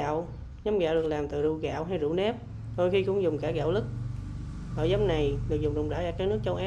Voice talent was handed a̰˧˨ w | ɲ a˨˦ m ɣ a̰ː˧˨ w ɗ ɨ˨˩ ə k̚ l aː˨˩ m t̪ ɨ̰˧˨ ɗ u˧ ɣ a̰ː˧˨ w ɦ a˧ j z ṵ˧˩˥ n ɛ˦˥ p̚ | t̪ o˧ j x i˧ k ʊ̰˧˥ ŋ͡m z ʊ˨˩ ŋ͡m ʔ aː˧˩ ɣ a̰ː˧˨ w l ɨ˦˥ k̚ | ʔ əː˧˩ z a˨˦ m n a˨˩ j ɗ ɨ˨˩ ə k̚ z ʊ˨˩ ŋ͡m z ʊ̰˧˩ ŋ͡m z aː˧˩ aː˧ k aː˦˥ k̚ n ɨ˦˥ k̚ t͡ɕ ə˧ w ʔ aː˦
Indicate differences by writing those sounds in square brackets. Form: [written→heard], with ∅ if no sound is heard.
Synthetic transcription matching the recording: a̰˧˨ w | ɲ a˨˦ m ɣ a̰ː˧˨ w ɗ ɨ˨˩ ə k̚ l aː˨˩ m t̪ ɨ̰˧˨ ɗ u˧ ɣ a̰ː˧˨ w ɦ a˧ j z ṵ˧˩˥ n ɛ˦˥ p̚ | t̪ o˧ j x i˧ k ʊ̰˧˥ ŋ͡m z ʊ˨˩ ŋ͡m [ʔ→k] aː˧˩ ɣ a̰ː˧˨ w l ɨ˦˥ k̚ | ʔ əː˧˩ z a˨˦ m n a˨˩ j ɗ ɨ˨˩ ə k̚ z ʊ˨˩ ŋ͡m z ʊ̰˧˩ ŋ͡m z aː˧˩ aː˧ k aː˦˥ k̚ n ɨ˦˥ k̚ t͡ɕ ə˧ w ʔ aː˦